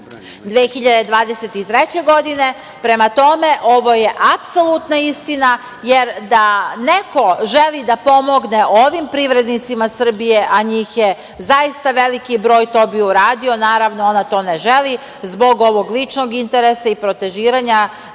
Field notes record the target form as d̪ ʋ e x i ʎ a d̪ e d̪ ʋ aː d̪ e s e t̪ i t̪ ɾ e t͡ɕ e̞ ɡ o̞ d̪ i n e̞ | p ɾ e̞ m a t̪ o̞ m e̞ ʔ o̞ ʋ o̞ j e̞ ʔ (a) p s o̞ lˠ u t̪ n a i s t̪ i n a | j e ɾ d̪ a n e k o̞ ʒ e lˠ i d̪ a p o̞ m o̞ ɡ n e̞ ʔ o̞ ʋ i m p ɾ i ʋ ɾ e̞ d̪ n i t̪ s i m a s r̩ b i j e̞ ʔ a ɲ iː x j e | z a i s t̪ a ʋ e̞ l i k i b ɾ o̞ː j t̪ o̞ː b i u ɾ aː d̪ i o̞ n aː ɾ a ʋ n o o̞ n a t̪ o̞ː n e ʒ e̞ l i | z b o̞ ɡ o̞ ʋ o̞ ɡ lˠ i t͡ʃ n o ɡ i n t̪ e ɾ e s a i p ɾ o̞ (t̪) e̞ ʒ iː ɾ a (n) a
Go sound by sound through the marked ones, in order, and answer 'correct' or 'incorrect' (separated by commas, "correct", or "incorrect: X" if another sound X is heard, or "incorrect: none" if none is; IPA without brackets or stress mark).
correct, correct, incorrect: ɲ